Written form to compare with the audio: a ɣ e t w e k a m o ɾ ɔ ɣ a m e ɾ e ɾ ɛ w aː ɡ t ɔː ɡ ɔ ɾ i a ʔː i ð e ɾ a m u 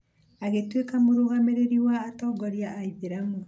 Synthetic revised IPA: a ɣ e t w e k a m o ɾ o ɣ a m e ɾ e ɾ i w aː t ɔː ɡ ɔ ɾ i a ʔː i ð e ɾ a m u